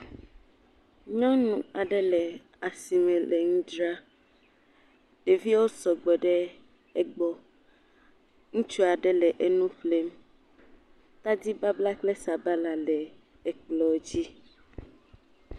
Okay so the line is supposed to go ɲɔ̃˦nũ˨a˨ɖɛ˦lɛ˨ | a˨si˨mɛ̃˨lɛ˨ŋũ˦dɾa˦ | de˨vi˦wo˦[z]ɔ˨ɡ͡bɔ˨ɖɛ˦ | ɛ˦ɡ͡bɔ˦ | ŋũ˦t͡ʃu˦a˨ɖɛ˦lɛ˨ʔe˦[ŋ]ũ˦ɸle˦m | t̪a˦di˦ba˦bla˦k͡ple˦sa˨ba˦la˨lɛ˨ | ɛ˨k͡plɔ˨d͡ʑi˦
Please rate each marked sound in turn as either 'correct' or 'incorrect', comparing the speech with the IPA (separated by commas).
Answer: incorrect, incorrect